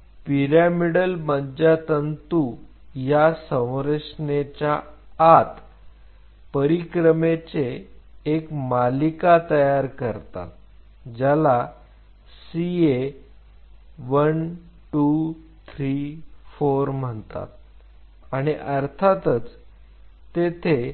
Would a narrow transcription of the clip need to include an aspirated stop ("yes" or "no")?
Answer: yes